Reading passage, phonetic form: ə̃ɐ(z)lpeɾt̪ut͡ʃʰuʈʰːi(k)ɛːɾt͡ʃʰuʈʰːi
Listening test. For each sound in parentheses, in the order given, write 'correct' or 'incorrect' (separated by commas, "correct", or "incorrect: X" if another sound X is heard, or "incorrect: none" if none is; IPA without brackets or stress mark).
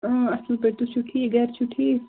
incorrect: s, incorrect: ɡ